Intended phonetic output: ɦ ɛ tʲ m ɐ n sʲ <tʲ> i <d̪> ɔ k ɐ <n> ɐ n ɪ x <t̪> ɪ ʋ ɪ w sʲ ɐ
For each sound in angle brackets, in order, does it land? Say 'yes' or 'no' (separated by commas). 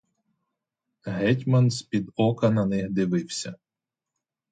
no, yes, yes, no